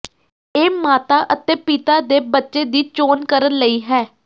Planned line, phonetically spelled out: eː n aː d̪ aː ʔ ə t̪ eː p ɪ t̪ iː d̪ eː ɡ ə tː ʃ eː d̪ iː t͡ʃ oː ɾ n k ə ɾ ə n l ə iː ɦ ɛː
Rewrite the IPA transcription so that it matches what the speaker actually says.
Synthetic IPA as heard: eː m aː t̪ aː ʔ ə t̪ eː p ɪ t̪ aː d̪ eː b ə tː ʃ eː d̪ iː t͡ʃ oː n k ə ɾ ə n l ə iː ɦ ɛː

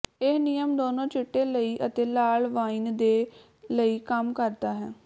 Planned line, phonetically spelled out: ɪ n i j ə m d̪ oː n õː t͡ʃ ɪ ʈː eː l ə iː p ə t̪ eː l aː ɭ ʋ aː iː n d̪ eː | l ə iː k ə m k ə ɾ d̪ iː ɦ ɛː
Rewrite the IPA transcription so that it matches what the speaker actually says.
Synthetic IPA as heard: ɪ n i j ə m d̪ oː n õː t͡ʃ ɪ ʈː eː l ə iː ʔ ə t̪ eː l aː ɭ ʋ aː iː n d̪ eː | l ə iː k ə m k ə ɾ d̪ aː ɦ ɛː

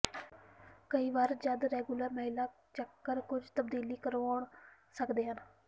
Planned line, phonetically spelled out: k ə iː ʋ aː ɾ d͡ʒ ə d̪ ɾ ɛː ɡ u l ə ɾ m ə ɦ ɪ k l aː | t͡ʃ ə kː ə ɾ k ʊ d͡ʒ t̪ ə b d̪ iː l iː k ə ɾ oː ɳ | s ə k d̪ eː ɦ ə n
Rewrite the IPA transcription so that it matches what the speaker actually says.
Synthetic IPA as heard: k ə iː ʋ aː ɾ d͡ʒ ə d̪ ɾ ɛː ɡ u l ə ɾ m ə ɦ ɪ l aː | t͡ʃ ə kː ə ɾ k ʊ d͡ʒ t̪ ə b d̪ iː l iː k ə ɾ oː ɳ | s ə k d̪ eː ɦ ə n

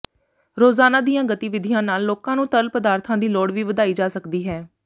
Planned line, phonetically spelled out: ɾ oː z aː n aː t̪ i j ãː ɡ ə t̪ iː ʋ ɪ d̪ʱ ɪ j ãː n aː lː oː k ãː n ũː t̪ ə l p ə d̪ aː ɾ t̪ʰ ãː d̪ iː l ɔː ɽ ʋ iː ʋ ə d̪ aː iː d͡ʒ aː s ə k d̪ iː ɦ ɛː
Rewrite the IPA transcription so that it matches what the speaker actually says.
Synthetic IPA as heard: ɾ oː z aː n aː d̪ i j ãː ɡ ə t̪ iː ʋ ɪ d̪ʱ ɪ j ãː n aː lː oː k ãː n ũː t̪ ə l p ə d̪ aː ɾ t̪ʰ ãː d̪ iː l ɔː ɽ ʋ iː ʋ ə d̪ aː iː d͡ʒ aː s ə k d̪ iː ɦ ɛː

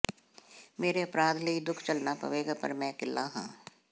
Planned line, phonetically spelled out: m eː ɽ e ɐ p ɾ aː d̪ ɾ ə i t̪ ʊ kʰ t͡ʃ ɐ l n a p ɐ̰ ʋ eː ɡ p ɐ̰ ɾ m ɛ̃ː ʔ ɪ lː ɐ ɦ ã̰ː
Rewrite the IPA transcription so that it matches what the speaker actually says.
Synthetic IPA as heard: m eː ɾ e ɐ p ɾ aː d̪ l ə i d̪ ʊ kʰ t͡ʃ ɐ l n a p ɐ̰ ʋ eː ɡ p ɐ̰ ɾ m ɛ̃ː k ɪ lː a ɦ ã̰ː

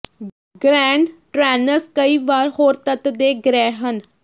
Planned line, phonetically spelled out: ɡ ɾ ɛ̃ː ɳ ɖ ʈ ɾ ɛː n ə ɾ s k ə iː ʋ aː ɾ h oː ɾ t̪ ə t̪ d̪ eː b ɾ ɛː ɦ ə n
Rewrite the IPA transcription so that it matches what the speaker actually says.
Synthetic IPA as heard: ɡ ɾ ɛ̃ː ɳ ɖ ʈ ɾ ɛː n ə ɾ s k ə iː ʋ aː ɾ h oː ɾ t̪ ə t̪ d̪ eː ɡ ɾ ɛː ɦ ə n

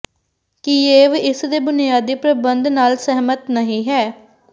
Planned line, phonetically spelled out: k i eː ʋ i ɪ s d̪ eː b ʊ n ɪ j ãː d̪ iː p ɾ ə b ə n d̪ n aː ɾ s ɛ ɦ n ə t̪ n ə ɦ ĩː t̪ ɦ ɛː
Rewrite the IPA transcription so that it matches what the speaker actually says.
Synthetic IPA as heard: k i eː ʋ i ɪ s d̪ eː b ʊ n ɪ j aː d̪ iː p ɾ ə b ə n d̪ n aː l s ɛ ɦ m ə t̪ n ə ɦ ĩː ɦ ɛː

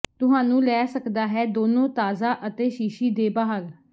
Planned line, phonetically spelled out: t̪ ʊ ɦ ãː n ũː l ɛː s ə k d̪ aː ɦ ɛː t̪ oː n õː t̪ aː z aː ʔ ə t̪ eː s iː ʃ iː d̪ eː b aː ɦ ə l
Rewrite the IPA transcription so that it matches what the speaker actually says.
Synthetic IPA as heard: t̪ ʊ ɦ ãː n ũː l ɛː s ə k d̪ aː ɦ ɛː d̪ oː n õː t̪ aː z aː ʔ ə t̪ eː ʃ iː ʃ iː d̪ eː b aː ɦ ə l

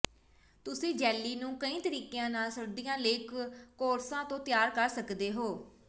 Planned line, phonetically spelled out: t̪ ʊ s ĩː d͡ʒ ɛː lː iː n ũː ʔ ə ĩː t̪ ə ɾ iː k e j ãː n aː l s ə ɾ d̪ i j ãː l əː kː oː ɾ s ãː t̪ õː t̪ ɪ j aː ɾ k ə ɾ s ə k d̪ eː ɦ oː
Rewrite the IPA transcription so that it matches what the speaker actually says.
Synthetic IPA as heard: t̪ ʊ s ĩː d͡ʒ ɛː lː iː n ũː k ə ĩː t̪ ə ɾ iː k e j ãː n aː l s ə ɾ d̪ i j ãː l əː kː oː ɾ s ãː t̪ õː t̪ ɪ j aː ɾ k ə ɾ s ə k d̪ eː ɦ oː

